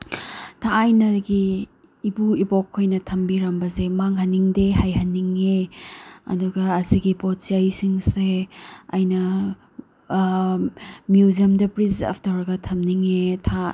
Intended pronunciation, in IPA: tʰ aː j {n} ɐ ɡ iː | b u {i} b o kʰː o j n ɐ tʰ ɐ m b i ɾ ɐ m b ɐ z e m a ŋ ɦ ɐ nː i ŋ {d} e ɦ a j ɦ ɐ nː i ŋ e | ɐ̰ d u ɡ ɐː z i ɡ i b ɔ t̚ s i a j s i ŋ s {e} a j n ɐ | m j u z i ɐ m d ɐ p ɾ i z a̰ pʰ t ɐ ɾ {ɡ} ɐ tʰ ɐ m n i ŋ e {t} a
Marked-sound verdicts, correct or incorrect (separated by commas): correct, correct, correct, correct, correct, incorrect